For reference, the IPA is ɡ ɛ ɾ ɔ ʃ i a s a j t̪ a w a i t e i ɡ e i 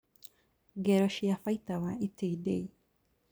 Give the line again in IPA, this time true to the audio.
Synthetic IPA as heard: ɡ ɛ ɾ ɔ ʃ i a f a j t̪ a w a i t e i d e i